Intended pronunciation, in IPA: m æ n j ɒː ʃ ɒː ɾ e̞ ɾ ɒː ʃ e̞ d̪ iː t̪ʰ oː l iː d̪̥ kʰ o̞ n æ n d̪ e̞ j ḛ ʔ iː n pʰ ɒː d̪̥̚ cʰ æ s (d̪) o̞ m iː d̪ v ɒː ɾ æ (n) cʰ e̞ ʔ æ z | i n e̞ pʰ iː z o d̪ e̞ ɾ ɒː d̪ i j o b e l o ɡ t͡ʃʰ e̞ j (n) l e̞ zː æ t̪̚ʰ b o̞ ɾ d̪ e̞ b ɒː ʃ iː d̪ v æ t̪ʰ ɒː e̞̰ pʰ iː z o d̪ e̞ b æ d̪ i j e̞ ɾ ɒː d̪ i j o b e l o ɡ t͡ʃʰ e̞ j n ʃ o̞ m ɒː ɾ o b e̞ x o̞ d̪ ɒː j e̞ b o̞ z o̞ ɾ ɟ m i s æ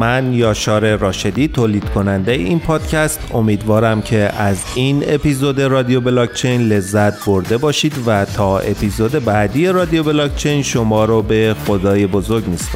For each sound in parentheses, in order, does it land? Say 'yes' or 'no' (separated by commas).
no, no, yes